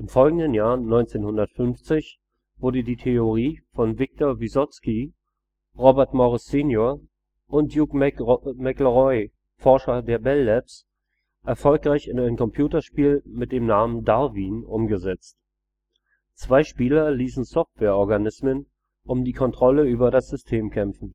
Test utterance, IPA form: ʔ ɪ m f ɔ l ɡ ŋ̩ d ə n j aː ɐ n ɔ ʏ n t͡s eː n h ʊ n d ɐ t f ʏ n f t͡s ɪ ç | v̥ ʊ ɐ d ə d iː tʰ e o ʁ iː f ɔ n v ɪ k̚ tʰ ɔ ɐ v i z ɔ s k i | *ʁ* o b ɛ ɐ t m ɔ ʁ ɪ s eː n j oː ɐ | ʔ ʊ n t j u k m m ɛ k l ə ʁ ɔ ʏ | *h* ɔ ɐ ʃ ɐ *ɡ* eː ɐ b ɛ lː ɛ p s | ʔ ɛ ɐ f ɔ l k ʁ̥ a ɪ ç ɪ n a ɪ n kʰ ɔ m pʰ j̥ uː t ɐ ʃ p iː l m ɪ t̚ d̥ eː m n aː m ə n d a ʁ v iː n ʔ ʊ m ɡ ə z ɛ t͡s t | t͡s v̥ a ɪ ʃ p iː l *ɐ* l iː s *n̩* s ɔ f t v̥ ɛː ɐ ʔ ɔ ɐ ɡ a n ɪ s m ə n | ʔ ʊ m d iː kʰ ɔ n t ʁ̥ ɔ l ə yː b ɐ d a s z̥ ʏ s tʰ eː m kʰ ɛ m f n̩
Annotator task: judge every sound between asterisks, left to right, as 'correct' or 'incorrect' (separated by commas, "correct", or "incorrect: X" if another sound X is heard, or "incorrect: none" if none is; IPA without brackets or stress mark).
correct, incorrect: f, incorrect: d, correct, correct